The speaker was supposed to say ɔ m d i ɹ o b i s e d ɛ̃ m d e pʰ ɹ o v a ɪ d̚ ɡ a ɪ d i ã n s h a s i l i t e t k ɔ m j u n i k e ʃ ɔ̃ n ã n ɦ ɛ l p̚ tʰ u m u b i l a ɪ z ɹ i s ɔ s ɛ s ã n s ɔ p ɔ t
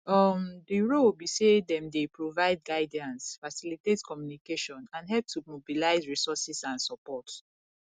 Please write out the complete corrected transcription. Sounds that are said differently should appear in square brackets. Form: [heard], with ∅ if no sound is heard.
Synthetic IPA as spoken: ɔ m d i ɹ o b i s e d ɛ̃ m d e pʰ ɹ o v a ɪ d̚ ɡ a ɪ d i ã n s [f] a s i l i t e t k ɔ m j u n i k e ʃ ɔ̃ n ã n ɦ ɛ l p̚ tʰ u m [o] b i l a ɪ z ɹ i s ɔ s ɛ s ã n s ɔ p ɔ t